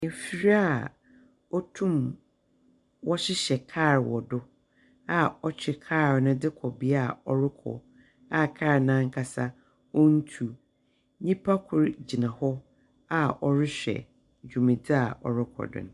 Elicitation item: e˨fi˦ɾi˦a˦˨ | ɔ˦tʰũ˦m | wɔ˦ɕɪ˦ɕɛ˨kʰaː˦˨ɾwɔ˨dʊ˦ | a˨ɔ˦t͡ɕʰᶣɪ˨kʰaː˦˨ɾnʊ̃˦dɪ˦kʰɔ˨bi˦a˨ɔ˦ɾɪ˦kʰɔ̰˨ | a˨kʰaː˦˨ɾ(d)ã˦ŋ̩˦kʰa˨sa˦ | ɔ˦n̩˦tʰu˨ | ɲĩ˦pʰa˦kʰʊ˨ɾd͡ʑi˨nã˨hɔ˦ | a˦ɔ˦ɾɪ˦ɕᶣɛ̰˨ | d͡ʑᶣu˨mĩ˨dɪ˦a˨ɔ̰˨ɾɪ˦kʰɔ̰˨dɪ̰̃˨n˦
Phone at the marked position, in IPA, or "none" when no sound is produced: n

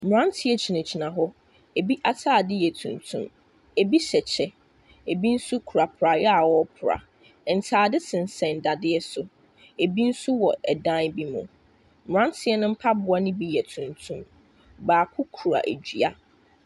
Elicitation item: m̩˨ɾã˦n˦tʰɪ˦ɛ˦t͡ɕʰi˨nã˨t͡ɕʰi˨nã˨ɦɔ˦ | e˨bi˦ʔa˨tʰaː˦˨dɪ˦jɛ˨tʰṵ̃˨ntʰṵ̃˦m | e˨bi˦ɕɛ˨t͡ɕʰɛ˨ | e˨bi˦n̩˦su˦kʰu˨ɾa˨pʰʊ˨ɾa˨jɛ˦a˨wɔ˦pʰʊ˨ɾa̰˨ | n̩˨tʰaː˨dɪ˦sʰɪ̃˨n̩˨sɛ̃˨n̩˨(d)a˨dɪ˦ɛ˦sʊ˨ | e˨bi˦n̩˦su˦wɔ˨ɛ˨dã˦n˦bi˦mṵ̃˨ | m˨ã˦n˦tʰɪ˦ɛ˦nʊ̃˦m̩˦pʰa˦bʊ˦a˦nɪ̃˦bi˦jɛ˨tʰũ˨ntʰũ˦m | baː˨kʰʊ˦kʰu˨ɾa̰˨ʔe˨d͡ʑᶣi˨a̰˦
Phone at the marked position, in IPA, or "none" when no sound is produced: d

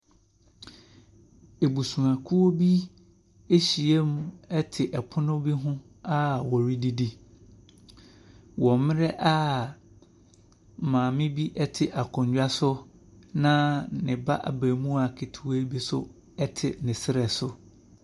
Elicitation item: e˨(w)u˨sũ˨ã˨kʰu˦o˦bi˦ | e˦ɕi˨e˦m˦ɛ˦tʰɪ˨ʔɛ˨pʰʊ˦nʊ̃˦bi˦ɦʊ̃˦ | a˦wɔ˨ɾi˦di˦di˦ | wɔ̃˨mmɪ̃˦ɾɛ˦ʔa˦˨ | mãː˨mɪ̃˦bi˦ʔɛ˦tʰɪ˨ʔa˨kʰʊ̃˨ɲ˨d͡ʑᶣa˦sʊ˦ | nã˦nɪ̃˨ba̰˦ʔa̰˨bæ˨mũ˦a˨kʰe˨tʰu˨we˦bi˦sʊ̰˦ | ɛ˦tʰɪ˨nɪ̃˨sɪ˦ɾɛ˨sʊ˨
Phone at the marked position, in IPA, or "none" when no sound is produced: b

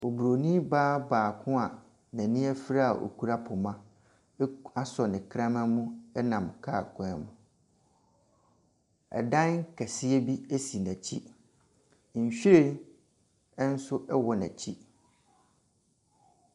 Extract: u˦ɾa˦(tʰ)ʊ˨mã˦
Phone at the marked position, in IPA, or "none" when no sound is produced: pʰ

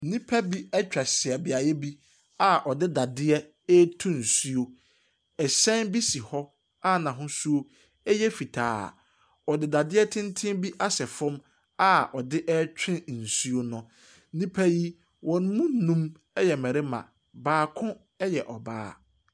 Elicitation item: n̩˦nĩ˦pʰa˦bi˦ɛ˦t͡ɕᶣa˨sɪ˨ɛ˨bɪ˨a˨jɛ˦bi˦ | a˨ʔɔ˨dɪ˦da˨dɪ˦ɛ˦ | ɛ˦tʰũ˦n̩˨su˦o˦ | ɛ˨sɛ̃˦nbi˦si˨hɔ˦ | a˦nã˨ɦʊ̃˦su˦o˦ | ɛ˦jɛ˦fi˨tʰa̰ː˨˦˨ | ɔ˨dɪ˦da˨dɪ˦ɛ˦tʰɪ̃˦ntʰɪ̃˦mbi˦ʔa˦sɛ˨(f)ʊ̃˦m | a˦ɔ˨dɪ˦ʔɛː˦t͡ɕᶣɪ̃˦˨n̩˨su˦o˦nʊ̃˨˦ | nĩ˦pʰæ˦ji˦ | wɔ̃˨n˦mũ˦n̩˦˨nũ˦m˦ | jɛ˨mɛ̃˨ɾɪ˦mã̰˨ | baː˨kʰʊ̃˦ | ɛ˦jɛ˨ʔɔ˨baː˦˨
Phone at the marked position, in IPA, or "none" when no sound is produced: f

